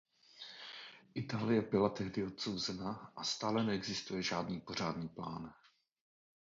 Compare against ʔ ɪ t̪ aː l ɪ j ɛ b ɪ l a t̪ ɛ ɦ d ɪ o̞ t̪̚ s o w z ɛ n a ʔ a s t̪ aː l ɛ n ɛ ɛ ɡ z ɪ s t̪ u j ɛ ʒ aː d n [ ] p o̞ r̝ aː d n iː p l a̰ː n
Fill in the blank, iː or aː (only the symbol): iː